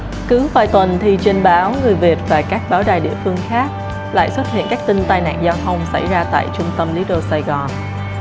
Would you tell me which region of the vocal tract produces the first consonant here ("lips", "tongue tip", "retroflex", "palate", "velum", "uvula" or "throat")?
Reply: velum